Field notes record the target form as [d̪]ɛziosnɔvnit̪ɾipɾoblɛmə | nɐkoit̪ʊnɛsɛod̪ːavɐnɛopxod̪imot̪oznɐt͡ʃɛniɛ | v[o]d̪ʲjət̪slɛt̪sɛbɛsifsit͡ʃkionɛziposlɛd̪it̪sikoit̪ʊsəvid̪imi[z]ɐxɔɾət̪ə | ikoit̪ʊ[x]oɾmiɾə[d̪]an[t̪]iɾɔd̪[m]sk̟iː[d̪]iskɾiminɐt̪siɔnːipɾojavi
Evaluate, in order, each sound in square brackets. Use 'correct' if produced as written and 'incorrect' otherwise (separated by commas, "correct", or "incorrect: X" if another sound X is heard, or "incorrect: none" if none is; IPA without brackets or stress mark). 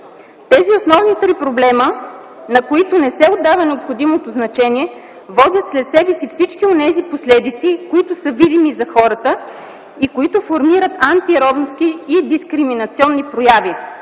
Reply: incorrect: t̪, incorrect: ɔ, correct, incorrect: f, incorrect: t̪, correct, incorrect: n, correct